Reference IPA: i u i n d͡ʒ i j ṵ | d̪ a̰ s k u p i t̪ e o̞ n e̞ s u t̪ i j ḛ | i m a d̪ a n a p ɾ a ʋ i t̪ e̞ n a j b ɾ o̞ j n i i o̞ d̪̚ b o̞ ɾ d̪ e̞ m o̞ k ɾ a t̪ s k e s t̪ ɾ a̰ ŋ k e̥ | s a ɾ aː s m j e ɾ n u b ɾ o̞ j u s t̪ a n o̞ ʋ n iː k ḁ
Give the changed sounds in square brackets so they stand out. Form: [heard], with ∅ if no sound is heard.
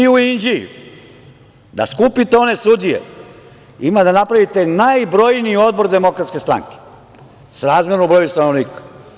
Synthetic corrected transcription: i u i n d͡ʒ i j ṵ | d̪ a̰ s k u p i t̪ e o̞ n e̞ s u [d̪] i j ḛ | i m a d̪ a n a p ɾ a ʋ i t̪ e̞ n a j b ɾ o̞ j n i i o̞ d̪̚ b o̞ ɾ d̪ e̞ m o̞ k ɾ a t̪ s k e s t̪ ɾ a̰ ŋ k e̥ | s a ɾ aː [z] m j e ɾ n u b ɾ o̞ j u s t̪ a n o̞ ʋ n iː k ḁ